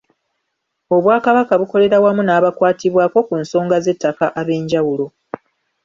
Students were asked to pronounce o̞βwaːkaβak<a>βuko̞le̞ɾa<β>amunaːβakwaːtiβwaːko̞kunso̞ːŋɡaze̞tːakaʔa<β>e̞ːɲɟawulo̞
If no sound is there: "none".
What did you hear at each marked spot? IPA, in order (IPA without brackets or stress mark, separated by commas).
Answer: a, w, β